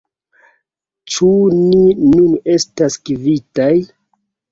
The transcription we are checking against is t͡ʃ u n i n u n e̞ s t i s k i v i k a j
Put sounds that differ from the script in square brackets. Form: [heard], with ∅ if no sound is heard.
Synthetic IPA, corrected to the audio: t͡ʃ u n i n u n e̞ s t [a] s k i v i [t] a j